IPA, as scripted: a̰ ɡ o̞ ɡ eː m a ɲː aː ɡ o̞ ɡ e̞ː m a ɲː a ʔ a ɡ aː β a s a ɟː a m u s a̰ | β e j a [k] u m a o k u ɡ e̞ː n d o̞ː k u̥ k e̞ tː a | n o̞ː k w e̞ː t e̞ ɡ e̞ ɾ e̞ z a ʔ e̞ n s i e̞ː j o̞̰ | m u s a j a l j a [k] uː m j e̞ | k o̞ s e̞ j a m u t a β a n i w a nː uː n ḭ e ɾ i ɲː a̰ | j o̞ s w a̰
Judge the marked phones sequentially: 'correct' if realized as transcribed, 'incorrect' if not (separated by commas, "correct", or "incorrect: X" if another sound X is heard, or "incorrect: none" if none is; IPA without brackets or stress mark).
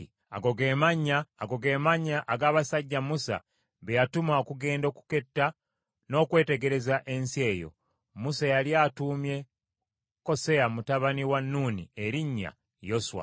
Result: incorrect: t, incorrect: t